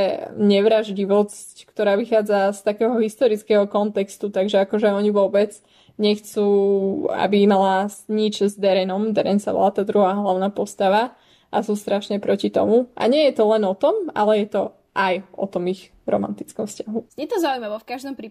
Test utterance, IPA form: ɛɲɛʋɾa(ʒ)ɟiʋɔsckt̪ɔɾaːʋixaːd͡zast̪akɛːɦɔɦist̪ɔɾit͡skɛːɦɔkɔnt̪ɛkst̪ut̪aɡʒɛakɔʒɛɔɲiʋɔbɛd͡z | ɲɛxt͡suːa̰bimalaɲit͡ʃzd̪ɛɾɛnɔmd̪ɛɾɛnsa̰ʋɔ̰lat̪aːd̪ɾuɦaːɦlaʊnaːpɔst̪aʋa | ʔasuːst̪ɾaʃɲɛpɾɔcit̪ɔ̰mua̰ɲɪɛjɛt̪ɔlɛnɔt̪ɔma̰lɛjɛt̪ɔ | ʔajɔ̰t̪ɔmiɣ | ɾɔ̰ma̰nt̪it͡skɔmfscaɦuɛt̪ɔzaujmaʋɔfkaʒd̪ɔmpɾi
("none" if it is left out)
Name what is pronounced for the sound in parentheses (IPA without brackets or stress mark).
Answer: ʒ